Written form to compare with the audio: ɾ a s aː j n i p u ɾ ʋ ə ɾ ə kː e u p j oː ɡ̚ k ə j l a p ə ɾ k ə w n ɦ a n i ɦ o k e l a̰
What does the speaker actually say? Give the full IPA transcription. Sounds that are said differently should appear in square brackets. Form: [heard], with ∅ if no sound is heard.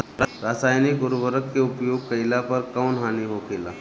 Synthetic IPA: ɾ a s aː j n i [k] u ɾ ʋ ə ɾ ə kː e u p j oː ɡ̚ k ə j l a p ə ɾ k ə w n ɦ a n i ɦ o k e l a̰

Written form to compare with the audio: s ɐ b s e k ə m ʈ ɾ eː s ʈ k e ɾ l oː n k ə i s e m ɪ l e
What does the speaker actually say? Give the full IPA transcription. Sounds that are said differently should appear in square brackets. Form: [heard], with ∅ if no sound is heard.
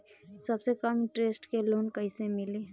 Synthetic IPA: s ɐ b s e k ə m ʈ ɾ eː s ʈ k e [∅] l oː n k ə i s e m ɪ l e

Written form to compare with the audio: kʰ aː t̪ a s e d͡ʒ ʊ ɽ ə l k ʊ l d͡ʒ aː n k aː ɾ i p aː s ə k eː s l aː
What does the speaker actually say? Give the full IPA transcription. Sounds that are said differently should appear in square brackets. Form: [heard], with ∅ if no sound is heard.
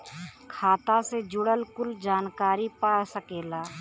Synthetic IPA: kʰ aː t̪ a s e d͡ʒ ʊ ɽ ə l k ʊ l d͡ʒ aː n k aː ɾ i p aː s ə k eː [∅] l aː

